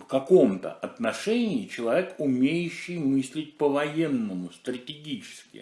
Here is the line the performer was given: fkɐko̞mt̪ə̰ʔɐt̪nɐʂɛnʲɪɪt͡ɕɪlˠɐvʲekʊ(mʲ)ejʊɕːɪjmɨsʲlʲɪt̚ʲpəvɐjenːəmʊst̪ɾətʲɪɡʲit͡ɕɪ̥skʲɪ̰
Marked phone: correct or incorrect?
correct